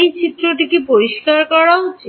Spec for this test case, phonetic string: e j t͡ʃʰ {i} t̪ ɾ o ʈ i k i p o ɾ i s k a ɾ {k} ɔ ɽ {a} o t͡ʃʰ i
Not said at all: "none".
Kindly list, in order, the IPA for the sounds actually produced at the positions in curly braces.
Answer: i, k, a

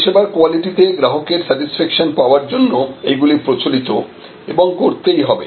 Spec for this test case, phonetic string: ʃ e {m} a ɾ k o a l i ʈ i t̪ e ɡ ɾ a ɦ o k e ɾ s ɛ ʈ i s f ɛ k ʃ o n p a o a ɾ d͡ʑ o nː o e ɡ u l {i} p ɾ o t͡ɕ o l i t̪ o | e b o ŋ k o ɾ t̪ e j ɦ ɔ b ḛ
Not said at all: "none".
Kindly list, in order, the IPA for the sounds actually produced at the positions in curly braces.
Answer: b, i

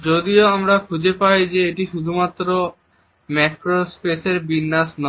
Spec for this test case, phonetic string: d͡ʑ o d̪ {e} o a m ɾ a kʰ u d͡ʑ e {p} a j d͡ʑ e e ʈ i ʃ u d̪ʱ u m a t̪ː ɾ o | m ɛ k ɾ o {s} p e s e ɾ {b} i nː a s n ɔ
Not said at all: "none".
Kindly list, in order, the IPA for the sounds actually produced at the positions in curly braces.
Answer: i, p, s, b

